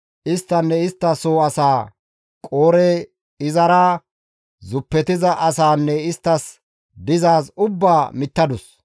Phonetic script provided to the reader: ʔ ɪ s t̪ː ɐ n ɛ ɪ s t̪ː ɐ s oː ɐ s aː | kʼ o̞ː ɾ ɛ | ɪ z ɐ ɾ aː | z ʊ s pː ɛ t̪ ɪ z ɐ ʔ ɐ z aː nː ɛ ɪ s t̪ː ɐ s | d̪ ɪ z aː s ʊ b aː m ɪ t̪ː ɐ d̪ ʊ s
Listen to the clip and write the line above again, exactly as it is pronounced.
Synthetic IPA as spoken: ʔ ɪ s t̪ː ɐ nː ɛ ɪ s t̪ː ɐ s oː ɐ s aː | kʼ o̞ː ɾ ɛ | ɪ z ɐ ɾ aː | z ʊ pː ɛ t̪ ɪ z ɐ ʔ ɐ s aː nː ɛ ɪ s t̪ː ɐ s | d̪ ɪ z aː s ʊ bː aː m ɪ t̪ː ɐ d̪ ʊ s